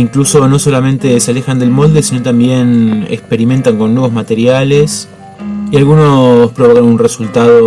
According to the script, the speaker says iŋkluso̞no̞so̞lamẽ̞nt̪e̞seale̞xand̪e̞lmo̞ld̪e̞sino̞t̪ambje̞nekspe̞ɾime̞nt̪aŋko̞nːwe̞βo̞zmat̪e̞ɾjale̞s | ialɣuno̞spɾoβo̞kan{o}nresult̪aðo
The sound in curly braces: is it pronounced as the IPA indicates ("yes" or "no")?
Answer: no